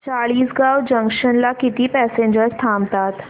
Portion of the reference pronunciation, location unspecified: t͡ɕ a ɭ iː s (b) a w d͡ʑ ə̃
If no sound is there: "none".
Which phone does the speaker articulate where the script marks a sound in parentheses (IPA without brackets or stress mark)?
ɡ